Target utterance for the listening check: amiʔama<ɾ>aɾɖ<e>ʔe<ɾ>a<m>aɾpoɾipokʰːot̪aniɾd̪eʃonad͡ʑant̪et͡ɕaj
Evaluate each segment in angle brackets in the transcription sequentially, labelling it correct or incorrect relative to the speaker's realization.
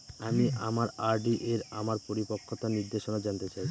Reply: correct, incorrect: i, correct, correct

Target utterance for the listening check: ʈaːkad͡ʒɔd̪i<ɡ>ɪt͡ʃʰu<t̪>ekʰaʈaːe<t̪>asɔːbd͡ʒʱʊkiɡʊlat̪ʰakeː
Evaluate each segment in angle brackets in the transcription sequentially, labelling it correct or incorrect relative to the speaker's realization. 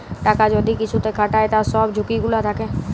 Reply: incorrect: k, correct, correct

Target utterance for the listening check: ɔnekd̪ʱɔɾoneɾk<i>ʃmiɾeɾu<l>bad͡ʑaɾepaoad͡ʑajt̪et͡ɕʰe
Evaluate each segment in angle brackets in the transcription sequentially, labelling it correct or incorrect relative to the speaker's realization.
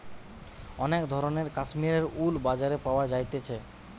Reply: incorrect: a, correct

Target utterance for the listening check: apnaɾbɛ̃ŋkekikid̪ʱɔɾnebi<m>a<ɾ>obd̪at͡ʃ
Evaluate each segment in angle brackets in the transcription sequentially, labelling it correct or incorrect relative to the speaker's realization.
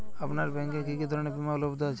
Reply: correct, incorrect: l

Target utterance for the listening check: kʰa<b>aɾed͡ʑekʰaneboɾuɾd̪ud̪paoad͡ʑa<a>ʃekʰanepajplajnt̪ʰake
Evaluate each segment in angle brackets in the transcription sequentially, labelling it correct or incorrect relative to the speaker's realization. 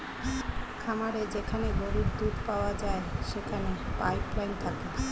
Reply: incorrect: m, incorrect: e

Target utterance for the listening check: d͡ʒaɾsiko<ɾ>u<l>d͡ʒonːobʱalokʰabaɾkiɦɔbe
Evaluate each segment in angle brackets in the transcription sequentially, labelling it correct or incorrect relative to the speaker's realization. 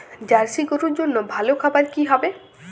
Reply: correct, incorrect: ɾ

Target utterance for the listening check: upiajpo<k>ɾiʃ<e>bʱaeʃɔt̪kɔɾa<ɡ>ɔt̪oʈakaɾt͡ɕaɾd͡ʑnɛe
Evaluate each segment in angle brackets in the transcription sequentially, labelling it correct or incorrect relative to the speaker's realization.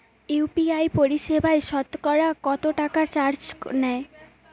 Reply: incorrect: none, correct, incorrect: k

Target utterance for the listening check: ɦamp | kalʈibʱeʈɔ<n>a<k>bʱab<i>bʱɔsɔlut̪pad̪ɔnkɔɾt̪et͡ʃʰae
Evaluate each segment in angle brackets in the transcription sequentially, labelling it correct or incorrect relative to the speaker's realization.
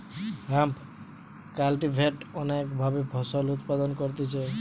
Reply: correct, correct, incorrect: e

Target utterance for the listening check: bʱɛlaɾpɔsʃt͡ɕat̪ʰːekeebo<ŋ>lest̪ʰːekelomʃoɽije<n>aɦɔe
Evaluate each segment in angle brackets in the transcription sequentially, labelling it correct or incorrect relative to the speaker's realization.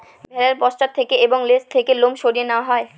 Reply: correct, correct

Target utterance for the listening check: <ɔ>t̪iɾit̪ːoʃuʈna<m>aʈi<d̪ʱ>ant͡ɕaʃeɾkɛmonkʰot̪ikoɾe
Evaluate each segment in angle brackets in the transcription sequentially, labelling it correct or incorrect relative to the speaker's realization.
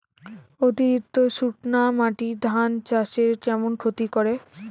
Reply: incorrect: o, correct, correct

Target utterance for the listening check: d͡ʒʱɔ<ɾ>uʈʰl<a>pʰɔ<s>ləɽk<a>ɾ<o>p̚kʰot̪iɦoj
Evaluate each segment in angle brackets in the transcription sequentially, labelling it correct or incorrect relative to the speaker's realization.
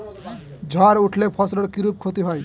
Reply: correct, incorrect: e, correct, incorrect: i, incorrect: u

